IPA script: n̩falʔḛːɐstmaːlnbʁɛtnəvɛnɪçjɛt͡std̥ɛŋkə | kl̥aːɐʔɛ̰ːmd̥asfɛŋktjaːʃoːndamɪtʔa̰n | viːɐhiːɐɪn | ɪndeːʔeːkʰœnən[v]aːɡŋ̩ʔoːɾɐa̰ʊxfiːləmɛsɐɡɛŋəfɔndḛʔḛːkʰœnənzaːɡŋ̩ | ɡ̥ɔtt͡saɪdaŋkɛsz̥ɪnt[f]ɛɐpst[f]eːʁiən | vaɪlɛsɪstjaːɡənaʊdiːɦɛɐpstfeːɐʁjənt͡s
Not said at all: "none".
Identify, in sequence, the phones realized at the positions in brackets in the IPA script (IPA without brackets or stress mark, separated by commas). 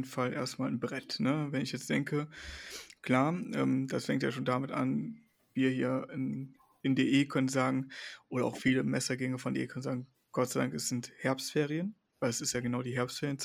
z, h, f